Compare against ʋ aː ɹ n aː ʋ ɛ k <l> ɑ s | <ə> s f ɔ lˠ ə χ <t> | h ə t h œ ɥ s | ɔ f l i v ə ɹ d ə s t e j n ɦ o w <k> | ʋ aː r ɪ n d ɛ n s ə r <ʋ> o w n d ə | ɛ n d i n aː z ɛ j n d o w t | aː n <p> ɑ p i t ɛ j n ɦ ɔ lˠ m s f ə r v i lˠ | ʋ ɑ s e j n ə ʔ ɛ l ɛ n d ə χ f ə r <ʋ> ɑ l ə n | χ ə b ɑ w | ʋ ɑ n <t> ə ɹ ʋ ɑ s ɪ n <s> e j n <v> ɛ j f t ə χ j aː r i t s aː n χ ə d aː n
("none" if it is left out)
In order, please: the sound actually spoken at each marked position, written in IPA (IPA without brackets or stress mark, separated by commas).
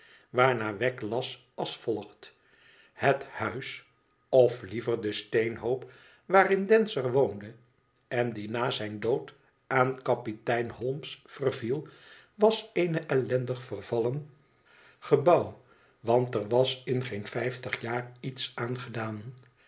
l, ɑ, t, p, ʋ, k, v, t, χ, f